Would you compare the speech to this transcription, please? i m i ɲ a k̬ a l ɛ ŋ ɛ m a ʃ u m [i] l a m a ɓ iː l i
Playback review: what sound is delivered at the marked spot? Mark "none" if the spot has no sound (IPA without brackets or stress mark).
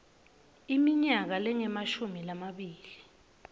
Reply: i